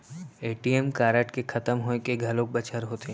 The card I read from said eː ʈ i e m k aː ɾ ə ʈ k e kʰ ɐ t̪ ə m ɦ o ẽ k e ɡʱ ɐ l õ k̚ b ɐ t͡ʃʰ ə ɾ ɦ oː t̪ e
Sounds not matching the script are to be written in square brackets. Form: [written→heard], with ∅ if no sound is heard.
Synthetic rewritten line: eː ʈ i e m k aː ɾ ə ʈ k e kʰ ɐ t̪ ə m ɦ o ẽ k e ɡʱ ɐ l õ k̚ b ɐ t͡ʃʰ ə ɾ ɦ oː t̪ e